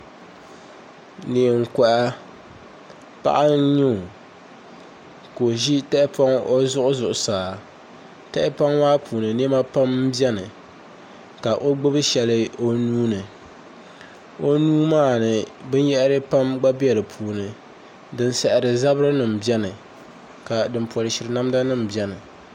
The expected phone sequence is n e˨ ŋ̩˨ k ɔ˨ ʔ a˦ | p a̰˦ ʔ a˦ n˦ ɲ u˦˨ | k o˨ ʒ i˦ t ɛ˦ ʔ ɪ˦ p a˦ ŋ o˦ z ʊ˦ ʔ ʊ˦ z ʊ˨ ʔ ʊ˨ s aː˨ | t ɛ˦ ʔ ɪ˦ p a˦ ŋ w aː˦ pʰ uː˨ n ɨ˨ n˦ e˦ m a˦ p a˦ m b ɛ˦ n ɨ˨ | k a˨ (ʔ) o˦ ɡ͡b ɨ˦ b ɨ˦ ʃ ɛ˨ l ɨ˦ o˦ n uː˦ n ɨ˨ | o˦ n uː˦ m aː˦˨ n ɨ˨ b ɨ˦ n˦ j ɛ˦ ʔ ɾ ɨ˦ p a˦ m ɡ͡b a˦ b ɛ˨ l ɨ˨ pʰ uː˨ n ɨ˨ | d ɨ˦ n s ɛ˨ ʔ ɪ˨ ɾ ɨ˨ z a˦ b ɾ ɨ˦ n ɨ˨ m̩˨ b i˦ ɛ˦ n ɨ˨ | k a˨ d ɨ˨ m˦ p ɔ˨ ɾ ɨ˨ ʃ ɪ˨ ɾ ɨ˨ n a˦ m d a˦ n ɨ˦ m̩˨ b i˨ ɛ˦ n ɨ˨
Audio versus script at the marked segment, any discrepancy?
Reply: no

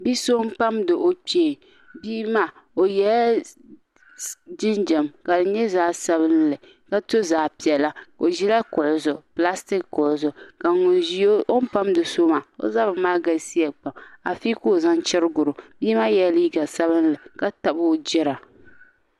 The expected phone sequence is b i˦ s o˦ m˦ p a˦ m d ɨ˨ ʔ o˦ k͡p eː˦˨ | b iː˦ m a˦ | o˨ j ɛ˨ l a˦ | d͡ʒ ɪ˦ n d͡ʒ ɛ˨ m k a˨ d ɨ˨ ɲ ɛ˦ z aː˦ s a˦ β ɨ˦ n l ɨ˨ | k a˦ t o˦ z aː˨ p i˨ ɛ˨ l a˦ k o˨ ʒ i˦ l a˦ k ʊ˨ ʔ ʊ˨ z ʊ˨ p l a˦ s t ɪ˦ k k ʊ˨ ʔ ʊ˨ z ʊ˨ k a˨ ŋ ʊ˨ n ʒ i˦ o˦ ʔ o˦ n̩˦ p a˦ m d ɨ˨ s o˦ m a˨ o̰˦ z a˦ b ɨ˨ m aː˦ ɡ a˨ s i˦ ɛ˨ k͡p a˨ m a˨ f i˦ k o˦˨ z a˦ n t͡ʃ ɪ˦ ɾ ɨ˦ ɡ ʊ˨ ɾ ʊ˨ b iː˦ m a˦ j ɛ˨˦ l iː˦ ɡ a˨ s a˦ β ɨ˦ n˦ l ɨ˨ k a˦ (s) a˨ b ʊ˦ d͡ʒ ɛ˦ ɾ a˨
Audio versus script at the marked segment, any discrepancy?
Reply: yes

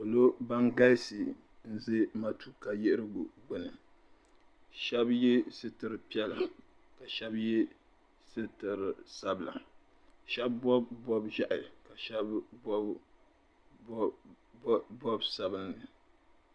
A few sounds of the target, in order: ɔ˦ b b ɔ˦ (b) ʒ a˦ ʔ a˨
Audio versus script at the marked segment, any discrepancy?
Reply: no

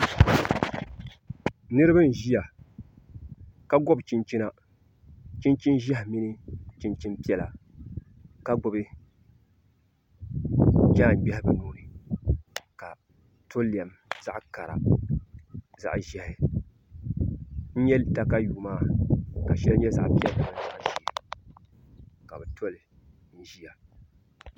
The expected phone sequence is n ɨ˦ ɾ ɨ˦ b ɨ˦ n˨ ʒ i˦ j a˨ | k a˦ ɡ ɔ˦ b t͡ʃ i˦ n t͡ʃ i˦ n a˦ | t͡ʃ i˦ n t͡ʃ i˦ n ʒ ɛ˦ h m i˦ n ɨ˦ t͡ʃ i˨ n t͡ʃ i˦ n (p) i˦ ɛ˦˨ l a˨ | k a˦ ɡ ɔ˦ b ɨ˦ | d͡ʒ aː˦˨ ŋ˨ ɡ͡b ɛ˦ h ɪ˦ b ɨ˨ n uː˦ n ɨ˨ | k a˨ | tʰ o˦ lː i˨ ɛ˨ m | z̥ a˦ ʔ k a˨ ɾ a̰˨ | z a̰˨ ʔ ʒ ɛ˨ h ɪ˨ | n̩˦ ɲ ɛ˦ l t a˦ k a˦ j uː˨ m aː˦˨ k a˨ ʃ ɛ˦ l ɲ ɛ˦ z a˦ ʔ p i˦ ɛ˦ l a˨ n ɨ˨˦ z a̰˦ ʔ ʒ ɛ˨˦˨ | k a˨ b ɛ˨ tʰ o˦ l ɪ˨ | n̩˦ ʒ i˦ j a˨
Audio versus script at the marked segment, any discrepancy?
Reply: no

